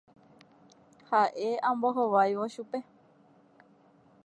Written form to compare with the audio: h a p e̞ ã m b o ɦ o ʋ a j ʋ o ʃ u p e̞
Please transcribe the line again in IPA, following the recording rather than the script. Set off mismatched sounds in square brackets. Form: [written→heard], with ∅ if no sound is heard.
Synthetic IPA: h a [p→ʔ] e̞ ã m b o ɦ o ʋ a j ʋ o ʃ u p e̞